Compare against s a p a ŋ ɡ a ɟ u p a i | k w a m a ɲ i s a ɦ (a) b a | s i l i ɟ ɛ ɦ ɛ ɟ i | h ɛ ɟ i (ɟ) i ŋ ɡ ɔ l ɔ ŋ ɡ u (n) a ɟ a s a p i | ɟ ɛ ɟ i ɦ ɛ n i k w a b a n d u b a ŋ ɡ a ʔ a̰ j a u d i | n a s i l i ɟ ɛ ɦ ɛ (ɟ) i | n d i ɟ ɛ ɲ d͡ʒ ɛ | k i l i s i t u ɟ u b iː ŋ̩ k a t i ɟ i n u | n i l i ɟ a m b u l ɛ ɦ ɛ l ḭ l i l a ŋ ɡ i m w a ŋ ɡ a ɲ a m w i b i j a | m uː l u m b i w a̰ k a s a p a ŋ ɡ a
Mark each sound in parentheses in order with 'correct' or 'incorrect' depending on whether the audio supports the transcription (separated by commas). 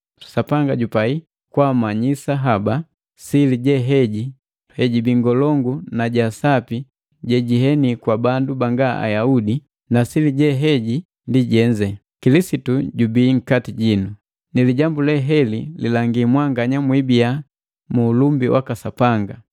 correct, incorrect, correct, correct